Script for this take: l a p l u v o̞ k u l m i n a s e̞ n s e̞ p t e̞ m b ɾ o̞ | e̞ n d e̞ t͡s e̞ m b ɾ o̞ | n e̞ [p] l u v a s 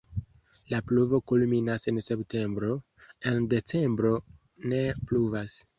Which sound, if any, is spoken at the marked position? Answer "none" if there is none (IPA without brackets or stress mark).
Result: p